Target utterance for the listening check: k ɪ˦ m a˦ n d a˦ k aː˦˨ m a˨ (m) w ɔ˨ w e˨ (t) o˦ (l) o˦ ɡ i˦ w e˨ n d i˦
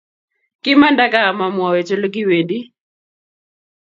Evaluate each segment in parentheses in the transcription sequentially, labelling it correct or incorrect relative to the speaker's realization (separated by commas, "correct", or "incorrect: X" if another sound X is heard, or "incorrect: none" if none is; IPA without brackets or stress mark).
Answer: correct, incorrect: t͡ʃ, correct